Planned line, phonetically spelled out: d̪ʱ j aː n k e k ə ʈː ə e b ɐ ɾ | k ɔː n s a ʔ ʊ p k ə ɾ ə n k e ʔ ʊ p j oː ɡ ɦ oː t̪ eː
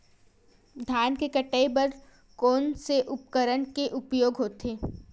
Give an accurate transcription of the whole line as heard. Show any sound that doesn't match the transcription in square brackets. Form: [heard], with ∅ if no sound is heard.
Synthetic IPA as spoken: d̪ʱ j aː n k e k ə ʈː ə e b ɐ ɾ | k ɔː n s [e] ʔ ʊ p k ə ɾ ə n k e ʔ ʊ p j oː ɡ ɦ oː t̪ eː

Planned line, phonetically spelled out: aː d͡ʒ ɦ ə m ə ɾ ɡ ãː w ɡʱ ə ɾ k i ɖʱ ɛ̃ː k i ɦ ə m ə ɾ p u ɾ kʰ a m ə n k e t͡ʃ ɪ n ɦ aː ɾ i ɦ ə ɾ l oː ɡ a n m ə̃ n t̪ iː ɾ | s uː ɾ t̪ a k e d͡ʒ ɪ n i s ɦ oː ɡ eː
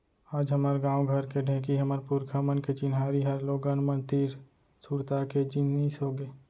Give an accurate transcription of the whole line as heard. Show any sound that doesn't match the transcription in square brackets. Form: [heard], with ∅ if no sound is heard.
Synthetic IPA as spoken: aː d͡ʒ ɦ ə m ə ɾ ɡ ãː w ɡʱ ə ɾ k [e] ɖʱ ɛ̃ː k i ɦ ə m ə ɾ p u ɾ kʰ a m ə n k e t͡ʃ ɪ n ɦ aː ɾ i ɦ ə ɾ l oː ɡ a n m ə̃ n t̪ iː ɾ | s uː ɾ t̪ a k e d͡ʒ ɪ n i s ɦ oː ɡ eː

